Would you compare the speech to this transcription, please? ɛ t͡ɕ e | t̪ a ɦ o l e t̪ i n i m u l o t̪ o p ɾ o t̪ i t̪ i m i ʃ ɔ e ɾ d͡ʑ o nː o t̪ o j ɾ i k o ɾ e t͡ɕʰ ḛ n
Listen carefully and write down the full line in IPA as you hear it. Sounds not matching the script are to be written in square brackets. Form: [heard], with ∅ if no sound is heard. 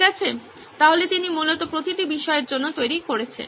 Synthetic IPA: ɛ [t͡ɕʰ] e | t̪ a ɦ o l e t̪ i n i m u l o t̪ o p ɾ o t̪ i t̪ i [b] i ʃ ɔ e ɾ d͡ʑ o nː o t̪ o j ɾ i k o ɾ e t͡ɕʰ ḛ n